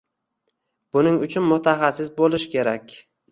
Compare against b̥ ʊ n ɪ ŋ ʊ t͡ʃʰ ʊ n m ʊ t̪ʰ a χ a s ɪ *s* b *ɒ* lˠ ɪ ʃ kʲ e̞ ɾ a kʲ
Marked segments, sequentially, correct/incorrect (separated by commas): correct, incorrect